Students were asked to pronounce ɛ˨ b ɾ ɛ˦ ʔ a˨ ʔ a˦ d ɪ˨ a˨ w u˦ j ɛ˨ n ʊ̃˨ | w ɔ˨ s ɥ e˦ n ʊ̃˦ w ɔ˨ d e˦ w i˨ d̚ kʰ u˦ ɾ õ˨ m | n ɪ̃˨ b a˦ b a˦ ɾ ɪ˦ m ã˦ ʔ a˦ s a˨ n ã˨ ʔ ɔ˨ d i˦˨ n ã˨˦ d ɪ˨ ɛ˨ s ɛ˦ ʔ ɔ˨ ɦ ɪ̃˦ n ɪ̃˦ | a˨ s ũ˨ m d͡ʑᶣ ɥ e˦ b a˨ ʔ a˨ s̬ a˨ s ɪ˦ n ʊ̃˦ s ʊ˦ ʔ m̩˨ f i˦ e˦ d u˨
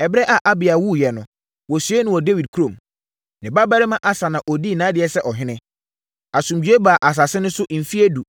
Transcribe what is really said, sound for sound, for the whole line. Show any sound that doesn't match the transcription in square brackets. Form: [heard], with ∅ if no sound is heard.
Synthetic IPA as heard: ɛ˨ b ɾ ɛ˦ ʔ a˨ ʔ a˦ [b] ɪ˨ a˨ w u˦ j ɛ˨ n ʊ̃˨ | w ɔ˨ s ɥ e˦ n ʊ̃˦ w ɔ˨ d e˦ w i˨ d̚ kʰ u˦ ɾ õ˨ m | n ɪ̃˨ b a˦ b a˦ ɾ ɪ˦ m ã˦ ʔ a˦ s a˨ n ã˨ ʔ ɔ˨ d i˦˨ n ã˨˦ d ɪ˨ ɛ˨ s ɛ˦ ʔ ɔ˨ ɦ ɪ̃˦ n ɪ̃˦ | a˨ s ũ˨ m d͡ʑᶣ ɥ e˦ b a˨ ʔ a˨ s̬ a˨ s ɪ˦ n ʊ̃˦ s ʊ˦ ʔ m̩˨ f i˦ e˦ d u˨